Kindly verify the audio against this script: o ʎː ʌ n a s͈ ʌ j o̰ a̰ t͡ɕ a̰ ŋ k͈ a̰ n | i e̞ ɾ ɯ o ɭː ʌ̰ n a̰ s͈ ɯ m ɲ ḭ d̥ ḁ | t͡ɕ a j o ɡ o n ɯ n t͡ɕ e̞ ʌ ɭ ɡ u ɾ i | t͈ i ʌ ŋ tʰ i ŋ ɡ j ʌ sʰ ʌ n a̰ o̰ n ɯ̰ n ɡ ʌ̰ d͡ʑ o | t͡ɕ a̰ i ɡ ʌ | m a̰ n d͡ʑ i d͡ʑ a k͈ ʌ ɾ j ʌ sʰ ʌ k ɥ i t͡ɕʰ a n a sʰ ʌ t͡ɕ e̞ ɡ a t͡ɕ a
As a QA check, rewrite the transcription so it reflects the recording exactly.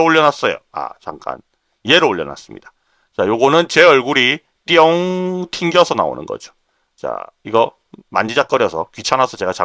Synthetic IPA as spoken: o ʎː ʌ n a s͈ ʌ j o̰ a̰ t͡ɕ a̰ ŋ k͈ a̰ n | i e̞ ɾ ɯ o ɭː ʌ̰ n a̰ s͈ ɯ m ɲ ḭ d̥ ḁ | t͡ɕ a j o ɡ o n ɯ n t͡ɕ e̞ ʌ ɭ ɡ u ɾ i | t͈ i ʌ ŋ tʰ i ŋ ɡ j ʌ sʰ ʌ n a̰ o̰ n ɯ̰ n ɡ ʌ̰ d͡ʑ o | t͡ɕ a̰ i ɡ ʌ | m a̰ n d͡ʑ i d͡ʑ a k͈ ʌ ɾ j ʌ sʰ ʌ k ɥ i t͡ɕʰ a n a sʰ ʌ t͡ɕ e̞ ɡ a t͡ɕ a